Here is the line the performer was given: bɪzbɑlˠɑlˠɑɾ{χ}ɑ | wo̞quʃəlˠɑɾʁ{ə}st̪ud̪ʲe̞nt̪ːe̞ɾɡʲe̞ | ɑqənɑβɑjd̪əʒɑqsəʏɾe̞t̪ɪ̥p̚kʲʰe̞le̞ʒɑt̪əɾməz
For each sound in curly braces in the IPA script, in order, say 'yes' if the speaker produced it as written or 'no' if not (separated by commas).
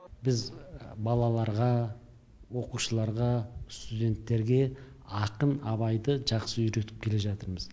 no, no